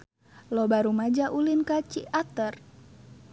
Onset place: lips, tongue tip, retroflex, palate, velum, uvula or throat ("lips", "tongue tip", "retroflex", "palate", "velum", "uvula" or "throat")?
tongue tip